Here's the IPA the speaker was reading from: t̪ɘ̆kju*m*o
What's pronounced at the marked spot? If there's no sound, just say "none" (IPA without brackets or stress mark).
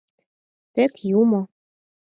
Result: m